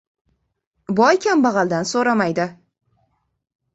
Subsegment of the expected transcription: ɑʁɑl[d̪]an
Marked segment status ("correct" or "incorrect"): correct